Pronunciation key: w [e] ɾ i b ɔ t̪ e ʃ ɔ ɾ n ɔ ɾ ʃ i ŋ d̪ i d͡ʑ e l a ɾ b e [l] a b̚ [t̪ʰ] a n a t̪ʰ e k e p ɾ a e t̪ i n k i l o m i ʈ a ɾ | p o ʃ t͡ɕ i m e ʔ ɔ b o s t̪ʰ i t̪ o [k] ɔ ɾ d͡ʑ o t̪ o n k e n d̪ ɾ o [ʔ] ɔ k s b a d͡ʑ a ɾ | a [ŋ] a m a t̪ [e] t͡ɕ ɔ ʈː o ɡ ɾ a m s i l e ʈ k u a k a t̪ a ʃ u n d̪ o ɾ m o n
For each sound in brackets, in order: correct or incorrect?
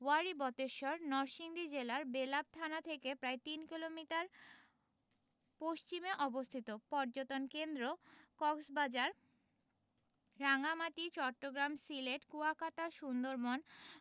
incorrect, correct, correct, incorrect, incorrect, correct, incorrect

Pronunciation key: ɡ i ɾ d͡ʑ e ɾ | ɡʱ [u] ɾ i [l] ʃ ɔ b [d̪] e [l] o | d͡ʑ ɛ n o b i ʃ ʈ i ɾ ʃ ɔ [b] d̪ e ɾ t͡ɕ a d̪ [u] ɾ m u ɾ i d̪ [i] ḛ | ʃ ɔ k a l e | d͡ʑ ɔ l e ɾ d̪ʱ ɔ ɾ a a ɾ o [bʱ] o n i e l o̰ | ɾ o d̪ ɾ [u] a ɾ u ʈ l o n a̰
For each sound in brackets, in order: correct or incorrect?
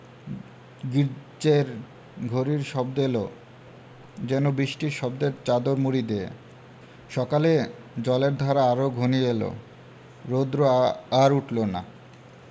incorrect, incorrect, correct, correct, correct, incorrect, incorrect, incorrect, incorrect

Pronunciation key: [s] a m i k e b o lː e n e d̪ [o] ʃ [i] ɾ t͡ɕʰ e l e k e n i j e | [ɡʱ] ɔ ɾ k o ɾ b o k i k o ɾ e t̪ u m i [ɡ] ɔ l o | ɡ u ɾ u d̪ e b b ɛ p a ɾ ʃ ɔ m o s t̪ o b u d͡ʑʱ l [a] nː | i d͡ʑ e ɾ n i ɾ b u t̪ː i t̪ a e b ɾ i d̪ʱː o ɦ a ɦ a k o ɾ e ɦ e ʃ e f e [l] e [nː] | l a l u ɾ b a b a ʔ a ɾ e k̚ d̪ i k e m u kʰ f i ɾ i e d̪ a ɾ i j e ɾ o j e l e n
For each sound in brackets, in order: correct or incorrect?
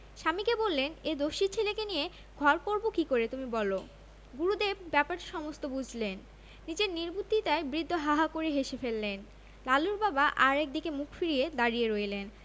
incorrect, correct, correct, correct, incorrect, incorrect, incorrect, incorrect

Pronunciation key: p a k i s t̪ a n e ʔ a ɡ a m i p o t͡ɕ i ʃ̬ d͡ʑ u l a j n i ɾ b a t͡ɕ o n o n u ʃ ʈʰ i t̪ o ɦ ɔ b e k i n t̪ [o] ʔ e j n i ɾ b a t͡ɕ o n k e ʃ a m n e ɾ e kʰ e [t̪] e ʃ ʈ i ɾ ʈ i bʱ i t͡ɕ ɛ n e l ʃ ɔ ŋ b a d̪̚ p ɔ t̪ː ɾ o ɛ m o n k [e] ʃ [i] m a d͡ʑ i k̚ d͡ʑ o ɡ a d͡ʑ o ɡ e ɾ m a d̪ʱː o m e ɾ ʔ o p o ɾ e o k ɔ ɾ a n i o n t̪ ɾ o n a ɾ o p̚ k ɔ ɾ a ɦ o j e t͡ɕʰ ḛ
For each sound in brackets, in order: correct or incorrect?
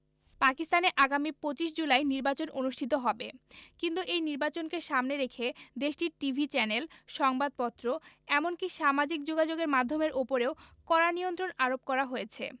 incorrect, incorrect, incorrect, incorrect

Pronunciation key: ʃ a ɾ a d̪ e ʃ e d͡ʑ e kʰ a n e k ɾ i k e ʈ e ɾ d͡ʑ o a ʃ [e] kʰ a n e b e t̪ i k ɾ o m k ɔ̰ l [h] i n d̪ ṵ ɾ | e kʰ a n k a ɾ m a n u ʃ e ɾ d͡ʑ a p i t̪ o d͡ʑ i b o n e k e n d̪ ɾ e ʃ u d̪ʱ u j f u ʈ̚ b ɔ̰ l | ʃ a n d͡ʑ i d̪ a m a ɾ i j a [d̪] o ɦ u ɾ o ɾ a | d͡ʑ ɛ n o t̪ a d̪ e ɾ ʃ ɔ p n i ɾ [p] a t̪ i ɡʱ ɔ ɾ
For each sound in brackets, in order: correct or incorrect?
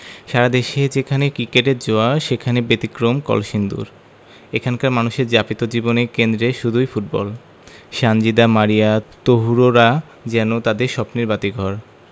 correct, incorrect, incorrect, incorrect

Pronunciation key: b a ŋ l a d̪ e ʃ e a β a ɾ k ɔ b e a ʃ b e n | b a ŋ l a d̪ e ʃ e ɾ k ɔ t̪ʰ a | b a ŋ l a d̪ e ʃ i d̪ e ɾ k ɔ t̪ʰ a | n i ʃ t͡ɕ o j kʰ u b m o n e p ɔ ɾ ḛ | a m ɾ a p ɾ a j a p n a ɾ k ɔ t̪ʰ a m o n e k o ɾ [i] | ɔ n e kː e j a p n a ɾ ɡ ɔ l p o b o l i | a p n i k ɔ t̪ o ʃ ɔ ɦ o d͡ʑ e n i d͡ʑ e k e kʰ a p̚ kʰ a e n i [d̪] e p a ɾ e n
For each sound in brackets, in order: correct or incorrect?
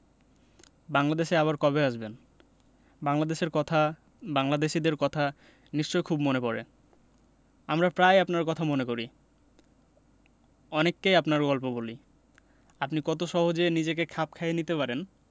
correct, incorrect

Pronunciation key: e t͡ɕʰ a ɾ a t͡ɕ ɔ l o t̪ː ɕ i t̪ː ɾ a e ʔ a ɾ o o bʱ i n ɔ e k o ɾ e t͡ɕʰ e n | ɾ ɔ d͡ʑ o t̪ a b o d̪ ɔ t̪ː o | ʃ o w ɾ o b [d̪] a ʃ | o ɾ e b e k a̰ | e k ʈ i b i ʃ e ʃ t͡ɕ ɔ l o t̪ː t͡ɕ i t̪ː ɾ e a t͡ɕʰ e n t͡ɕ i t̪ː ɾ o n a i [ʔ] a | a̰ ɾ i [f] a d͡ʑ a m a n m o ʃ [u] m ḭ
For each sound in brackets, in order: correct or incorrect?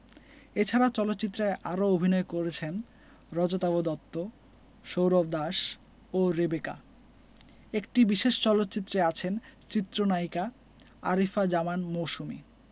correct, incorrect, correct, correct

